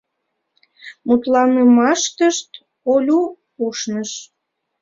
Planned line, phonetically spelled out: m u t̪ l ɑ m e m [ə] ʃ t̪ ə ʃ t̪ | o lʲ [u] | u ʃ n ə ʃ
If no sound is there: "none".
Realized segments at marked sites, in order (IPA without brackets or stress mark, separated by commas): ɑ, u